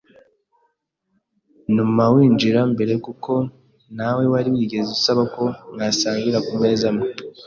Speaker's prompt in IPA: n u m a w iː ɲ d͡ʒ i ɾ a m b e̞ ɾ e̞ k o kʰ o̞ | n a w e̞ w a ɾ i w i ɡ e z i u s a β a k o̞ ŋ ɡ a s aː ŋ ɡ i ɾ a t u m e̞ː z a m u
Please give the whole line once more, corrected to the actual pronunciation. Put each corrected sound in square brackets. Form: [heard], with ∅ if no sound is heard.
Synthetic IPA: n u m a w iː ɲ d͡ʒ i ɾ a m b e̞ ɾ e̞ k [u] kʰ o̞ | n a w e̞ w a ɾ i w i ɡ e z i u s a β a k o̞ ŋ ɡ a s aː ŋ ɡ i ɾ a [k] u m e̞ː z a m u